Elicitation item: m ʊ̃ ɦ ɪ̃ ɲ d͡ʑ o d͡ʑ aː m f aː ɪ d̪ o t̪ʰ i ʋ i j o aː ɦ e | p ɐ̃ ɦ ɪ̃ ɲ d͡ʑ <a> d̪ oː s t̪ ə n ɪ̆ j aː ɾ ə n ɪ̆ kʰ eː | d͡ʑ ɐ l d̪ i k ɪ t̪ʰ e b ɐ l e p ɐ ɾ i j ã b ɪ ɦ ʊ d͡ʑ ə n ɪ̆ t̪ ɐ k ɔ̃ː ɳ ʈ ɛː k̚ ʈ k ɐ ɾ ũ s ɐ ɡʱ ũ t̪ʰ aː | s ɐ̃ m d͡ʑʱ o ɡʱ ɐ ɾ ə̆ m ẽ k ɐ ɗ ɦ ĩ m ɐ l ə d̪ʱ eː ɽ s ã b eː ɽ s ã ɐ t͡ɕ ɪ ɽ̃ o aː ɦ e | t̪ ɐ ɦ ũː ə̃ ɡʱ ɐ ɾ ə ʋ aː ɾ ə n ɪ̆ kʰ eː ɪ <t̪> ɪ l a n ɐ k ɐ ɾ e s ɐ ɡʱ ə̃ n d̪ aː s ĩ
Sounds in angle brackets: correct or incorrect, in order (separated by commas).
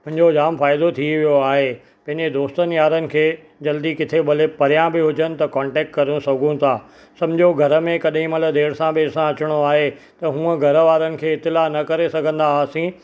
incorrect, correct